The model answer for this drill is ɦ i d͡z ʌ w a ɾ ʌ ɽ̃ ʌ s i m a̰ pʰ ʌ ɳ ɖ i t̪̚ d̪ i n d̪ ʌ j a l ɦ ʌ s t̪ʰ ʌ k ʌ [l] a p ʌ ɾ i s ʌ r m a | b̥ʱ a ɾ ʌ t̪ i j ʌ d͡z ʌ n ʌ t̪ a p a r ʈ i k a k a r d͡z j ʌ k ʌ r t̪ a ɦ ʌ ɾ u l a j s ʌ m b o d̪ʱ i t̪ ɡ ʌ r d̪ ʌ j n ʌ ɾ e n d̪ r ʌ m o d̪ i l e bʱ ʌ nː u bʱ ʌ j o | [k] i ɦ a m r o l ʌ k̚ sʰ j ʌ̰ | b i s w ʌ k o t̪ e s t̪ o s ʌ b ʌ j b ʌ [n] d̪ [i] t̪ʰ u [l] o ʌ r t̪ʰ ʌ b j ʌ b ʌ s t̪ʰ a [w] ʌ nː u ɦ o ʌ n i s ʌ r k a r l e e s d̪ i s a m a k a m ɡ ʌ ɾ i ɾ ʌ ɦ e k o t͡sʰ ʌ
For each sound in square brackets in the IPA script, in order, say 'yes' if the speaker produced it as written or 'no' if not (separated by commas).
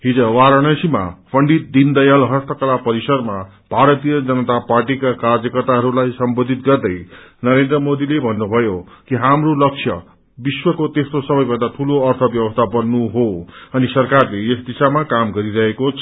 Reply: yes, yes, yes, no, yes, no